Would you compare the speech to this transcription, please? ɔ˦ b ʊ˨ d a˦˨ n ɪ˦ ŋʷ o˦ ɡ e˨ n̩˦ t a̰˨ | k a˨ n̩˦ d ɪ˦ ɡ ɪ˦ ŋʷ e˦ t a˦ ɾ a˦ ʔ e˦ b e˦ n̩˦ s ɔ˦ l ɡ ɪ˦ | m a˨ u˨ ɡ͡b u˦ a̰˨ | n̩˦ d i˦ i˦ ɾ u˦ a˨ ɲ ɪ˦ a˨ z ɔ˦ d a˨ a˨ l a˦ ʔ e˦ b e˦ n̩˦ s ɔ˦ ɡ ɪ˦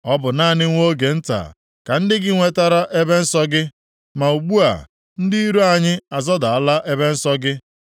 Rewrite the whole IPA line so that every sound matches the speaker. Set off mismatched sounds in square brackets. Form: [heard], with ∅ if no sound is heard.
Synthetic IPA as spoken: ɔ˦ b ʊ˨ [n] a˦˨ n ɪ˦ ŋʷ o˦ ɡ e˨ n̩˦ t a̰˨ | k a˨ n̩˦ d ɪ˦ ɡ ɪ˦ ŋʷ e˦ t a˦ ɾ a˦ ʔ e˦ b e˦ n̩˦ s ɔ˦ [∅] ɡ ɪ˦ | m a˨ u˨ ɡ͡b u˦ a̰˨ | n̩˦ d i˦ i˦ ɾ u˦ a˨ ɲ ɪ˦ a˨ z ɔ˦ d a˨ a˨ l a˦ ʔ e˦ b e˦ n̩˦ s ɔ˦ ɡ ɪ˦